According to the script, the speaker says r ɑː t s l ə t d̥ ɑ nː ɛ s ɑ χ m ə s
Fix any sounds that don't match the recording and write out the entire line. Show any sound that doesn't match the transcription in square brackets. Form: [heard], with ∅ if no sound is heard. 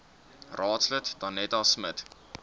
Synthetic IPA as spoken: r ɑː t s l ə t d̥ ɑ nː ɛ [t] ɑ [s] m ə [t]

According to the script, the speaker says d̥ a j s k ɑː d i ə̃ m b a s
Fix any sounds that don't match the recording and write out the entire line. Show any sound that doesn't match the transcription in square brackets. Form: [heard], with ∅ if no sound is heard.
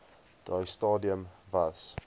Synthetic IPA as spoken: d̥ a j s [t] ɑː d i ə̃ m [v] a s

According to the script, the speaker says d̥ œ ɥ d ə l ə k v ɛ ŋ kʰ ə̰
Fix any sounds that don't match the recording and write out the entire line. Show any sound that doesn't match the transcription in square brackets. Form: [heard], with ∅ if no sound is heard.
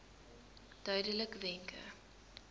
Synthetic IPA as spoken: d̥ œ ɥ d ə l ə k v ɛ ŋ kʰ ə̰

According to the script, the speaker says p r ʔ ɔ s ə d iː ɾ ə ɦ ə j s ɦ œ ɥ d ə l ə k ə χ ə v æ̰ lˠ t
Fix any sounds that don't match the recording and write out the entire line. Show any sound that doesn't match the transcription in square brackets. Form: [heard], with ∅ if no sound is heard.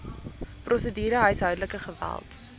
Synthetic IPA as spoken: p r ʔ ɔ s ə d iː ɾ ə ɦ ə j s ɦ œ ɥ d ə l ə k ə χ ə v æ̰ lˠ t

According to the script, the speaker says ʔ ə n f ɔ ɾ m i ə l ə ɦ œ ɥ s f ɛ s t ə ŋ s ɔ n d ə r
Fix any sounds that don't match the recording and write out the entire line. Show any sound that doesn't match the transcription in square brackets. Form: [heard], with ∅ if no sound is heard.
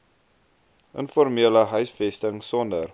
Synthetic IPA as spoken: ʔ ə n f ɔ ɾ m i ə l ə ɦ œ ɥ s f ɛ s t ə ŋ s ɔ n d ə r

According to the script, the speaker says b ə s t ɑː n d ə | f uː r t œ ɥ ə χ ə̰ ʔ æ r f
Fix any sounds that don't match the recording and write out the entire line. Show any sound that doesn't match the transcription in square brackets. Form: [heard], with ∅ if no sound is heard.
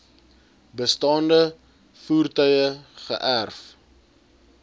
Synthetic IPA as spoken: b ə s t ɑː n d ə | f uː r t œ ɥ ə χ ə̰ ʔ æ r f

